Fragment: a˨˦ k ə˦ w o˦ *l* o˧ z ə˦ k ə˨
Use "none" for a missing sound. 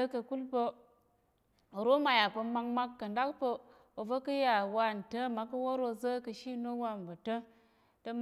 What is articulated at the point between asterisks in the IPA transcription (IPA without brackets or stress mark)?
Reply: ɾ